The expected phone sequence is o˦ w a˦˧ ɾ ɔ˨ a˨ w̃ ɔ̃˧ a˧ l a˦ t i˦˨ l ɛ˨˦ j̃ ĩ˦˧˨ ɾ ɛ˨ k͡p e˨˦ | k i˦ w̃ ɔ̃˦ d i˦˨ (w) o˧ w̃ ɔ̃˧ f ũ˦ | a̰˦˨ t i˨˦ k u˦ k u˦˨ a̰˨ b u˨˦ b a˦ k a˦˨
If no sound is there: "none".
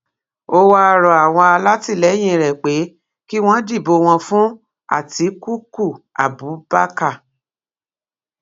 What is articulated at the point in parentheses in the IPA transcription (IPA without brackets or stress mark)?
b